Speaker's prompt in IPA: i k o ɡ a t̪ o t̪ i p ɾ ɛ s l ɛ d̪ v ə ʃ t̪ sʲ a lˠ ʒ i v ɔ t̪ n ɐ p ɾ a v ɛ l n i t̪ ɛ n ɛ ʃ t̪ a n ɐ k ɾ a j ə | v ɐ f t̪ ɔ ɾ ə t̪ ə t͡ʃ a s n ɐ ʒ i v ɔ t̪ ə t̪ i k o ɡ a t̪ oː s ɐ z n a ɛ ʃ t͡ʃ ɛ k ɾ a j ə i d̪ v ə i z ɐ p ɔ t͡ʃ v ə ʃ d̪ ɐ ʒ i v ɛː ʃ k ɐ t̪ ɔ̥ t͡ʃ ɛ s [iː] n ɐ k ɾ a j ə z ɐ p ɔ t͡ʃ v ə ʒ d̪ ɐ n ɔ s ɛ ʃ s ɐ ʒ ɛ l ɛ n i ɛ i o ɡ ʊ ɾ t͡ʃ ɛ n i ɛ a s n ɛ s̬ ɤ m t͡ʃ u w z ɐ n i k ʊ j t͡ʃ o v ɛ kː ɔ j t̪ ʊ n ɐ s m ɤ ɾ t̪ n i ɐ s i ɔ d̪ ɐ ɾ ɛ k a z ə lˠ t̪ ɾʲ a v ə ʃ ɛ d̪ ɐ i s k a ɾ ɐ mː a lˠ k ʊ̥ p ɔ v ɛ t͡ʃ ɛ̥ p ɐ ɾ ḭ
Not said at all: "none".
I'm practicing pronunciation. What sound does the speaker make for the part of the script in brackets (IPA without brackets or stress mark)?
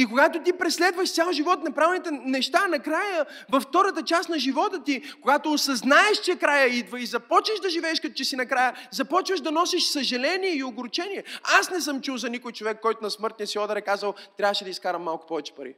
i